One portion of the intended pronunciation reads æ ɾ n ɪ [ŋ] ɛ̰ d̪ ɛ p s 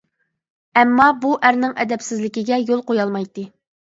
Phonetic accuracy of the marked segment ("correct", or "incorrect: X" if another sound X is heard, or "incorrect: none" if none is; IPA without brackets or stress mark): correct